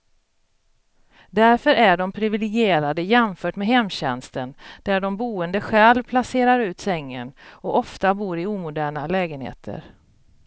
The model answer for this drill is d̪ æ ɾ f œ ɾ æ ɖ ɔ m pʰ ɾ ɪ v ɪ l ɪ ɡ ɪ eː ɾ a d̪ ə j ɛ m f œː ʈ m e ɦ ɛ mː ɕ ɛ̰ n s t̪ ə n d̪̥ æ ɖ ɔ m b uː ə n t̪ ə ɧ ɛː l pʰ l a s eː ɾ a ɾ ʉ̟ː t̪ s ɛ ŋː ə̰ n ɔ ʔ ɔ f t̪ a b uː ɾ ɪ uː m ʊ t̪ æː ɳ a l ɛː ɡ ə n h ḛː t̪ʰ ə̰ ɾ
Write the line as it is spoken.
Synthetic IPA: d̪ æ ɾ f œ ɾ æ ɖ ɔ m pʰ ɾ ɪ v ɪ l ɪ ɡ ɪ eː ɾ a d̪ ə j ɛ m f œː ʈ m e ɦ ɛ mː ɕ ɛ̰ n s t̪ ə n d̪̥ æ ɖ ɔ m b uː ə n d̪ ə ɧ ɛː l pʰ l a s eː ɾ a ɾ ʉ̟ː t̪ s ɛ ŋː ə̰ n ɔ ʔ ɔ f t̪ a b uː ɾ ɪ uː m ʊ d̪ æː ɳ a l ɛː ɡ ə n h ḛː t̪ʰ ə̰ ɾ